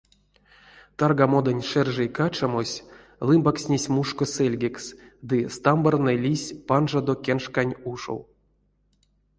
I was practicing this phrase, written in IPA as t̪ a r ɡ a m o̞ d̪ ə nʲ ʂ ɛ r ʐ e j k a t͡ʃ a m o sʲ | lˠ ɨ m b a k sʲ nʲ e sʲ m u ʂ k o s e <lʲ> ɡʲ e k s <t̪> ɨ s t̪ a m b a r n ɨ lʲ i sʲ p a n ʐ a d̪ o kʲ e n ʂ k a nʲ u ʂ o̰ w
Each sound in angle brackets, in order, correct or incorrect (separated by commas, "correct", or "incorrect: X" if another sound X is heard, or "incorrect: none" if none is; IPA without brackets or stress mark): correct, incorrect: d̪